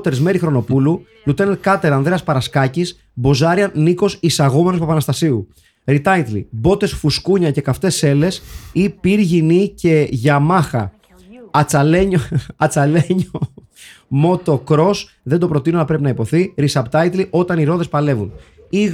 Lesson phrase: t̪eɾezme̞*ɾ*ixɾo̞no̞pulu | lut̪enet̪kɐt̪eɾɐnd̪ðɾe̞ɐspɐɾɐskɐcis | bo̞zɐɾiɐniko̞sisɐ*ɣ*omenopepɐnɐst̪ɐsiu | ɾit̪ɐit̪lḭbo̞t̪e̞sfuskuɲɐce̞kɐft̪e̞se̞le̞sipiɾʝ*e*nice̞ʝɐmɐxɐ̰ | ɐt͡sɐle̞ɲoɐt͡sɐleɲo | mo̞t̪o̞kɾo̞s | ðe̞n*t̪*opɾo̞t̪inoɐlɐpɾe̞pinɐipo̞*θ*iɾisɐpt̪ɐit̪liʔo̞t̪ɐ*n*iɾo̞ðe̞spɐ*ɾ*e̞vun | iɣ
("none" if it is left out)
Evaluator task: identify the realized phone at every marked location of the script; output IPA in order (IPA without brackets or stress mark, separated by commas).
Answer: ɾ, ɣ, i, d̪, θ, n, l